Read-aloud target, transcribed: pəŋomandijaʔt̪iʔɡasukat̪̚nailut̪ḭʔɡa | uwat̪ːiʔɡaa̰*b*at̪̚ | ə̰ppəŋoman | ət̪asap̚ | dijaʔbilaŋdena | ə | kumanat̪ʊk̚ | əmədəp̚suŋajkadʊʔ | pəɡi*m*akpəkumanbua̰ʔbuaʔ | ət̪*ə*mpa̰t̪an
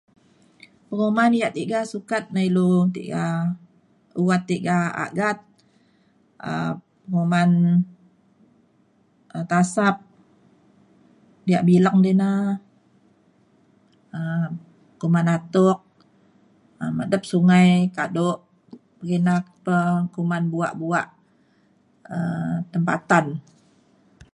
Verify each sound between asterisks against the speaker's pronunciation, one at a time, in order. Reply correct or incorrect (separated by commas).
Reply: incorrect, incorrect, correct